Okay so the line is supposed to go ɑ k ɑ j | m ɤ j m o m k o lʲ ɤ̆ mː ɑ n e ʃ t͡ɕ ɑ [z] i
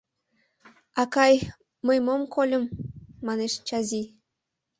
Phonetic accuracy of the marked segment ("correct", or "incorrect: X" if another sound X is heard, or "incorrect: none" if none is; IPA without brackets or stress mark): correct